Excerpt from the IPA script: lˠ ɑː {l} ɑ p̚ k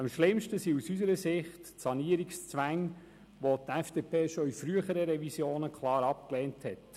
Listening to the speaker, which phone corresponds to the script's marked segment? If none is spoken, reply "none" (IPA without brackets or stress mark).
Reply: ɾ